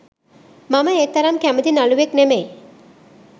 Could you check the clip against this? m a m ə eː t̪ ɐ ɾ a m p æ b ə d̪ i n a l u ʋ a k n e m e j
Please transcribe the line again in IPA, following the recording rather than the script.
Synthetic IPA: m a m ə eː t̪ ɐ ɾ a m k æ m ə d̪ i n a l u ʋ e k n e m e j